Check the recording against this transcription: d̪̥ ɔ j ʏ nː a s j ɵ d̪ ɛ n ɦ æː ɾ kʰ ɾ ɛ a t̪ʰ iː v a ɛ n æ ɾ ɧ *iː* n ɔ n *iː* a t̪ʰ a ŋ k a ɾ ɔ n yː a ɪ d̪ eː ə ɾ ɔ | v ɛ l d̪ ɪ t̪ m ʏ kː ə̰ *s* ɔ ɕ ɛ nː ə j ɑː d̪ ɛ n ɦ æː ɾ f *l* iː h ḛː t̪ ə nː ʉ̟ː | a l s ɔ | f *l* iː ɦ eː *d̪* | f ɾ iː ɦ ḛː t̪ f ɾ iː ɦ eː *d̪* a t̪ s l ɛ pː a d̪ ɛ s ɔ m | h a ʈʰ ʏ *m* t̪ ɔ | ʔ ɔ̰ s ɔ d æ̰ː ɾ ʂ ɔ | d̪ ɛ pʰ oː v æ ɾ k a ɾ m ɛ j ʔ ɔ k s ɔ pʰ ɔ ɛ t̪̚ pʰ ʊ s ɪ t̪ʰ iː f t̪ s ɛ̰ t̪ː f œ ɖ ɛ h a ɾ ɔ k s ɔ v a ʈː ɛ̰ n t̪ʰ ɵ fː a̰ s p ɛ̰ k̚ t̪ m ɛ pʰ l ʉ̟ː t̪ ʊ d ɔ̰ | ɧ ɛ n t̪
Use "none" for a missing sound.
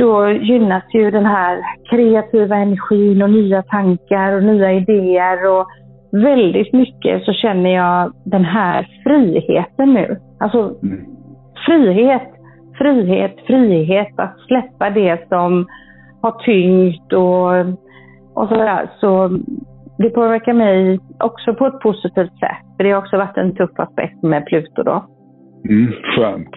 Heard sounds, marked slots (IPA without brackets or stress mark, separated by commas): iː, yː, s, ɾ, ɾ, t̪, t̪, ŋ